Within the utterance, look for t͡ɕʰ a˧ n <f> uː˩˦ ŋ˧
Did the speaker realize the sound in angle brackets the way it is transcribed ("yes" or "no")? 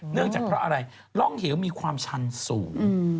no